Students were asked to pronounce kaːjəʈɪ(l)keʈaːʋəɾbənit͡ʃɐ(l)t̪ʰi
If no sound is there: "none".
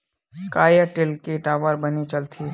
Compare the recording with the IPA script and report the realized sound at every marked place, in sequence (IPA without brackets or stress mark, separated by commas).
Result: l, l